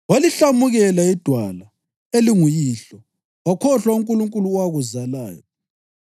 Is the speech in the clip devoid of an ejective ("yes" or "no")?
no